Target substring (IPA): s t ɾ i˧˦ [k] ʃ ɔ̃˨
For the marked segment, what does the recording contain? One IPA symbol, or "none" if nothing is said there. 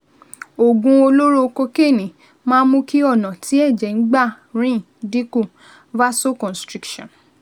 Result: k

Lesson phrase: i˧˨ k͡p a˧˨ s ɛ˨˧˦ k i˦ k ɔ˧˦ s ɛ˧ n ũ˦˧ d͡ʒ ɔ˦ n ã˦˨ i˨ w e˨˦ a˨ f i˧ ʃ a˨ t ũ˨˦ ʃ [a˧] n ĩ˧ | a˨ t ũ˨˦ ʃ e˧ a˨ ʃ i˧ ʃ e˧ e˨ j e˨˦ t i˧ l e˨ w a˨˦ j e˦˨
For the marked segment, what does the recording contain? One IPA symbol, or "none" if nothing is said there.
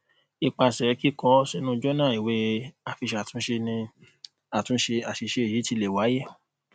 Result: e˧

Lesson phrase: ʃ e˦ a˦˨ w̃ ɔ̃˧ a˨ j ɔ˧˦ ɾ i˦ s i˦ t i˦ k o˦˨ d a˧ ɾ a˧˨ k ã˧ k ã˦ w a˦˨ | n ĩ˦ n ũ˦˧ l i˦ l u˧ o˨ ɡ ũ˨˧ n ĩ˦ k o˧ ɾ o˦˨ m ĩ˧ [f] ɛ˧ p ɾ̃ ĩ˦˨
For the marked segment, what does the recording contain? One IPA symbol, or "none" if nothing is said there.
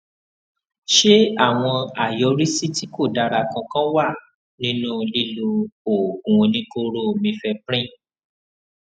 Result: f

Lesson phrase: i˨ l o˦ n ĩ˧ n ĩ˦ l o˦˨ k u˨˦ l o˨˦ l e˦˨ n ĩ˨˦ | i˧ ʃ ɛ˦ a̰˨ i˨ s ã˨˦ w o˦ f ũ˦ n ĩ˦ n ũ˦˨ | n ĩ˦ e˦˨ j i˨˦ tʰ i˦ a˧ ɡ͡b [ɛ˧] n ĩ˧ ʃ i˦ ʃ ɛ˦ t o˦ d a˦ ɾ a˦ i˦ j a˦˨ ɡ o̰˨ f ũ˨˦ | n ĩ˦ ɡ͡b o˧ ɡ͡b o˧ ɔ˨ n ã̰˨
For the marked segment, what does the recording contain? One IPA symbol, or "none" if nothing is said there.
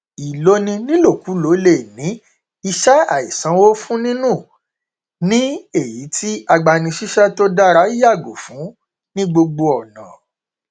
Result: a˧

